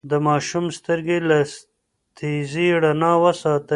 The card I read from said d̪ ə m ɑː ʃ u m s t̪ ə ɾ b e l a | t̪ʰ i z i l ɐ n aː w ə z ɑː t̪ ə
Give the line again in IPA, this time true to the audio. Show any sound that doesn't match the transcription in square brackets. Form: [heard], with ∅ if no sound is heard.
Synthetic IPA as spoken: d̪ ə m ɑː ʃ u m s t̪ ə ɾ [ɡ] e l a | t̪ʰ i z i [ɽ] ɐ n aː w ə [s] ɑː t̪ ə

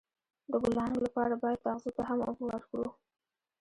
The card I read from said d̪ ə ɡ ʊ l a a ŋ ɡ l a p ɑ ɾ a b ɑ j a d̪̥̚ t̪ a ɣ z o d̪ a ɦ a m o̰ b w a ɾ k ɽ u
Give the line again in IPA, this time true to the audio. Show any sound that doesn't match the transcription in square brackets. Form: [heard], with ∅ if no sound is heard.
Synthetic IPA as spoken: d̪ ə ɡ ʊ l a a ŋ ɡ l a p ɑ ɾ a b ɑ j a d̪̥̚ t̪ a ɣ z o [t̪] a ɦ a m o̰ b w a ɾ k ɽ u

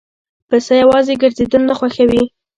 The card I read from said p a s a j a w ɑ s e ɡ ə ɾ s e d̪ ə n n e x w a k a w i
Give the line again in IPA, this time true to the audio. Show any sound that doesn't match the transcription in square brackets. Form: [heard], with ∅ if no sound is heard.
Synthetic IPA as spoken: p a s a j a w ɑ [z] e ɡ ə ɾ [z] e d̪ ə n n [a] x w a [x] a w i

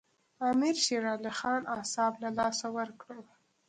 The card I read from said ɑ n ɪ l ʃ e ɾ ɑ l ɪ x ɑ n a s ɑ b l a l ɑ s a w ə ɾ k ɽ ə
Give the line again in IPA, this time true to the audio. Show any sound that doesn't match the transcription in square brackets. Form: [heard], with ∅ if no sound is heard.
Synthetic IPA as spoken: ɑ [m] ɪ [ɾ] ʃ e ɾ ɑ l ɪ x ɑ n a s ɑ b l a l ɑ s a w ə ɾ k ɽ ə

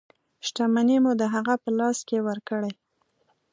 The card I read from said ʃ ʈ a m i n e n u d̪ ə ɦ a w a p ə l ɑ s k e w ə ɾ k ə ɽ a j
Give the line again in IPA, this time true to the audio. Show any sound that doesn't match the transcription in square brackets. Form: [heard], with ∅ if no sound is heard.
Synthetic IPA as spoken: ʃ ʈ a m [a] n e [m] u d̪ ə ɦ a [ɣ] a p ə l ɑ s k e w ə ɾ k ə ɽ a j

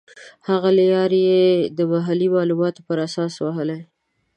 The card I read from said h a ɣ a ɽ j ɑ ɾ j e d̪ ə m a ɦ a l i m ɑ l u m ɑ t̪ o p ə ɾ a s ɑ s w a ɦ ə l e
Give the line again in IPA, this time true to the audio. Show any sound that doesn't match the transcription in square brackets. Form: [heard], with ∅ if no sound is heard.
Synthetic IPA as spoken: h a ɣ a [l] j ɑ ɾ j e d̪ ə m a ɦ a l i m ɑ l u m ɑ t̪ o p ə ɾ a s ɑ s w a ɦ ə l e

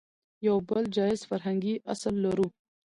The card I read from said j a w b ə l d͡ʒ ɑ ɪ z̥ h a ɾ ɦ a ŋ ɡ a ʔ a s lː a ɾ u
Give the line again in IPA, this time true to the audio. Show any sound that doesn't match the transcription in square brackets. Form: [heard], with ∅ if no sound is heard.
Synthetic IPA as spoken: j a w b ə l d͡ʒ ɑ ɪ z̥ [f] a ɾ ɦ a ŋ ɡ [i] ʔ a s lː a ɾ u

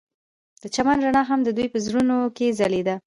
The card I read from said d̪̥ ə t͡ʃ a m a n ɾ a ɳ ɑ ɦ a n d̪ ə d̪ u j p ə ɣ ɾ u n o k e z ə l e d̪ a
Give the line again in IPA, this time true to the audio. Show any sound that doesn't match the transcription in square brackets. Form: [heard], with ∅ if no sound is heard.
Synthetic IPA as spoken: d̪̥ ə t͡ʃ a m a n ɾ a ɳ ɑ ɦ a [m] d̪ ə d̪ u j p ə [z] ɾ u n o k e z [a] l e d̪ a

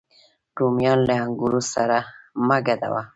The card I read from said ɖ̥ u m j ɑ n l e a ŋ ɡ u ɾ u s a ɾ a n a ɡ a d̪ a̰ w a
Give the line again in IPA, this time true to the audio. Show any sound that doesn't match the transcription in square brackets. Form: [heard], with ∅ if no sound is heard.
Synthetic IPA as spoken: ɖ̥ u m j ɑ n l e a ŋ ɡ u ɾ u s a ɾ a [m] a ɡ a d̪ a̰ w a

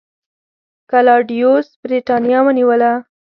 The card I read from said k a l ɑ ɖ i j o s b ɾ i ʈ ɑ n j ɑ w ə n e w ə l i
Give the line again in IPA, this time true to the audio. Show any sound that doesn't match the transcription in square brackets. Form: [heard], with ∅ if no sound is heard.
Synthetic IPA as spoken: k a l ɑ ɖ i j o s b ɾ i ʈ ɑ n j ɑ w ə n [i] w ə l [a]

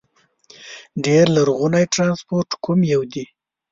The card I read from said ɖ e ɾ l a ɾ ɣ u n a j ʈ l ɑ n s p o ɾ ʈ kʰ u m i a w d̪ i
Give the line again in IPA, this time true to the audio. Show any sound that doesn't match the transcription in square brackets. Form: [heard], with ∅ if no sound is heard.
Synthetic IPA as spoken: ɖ e ɾ l a ɾ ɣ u n a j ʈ [ɾ] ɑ n s p o ɾ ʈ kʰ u m [j] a w d̪ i

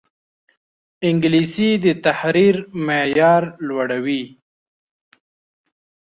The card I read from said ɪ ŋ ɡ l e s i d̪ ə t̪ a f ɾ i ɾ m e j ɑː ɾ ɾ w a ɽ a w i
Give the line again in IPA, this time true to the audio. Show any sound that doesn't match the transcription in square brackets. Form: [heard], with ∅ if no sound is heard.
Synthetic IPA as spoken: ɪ ŋ ɡ l [i] s i d̪ ə t̪ a [h] ɾ i ɾ m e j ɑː ɾ [l] w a ɽ a w i

